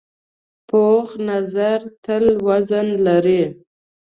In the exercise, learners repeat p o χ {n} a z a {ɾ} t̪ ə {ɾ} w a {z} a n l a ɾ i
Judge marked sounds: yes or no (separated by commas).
yes, yes, no, yes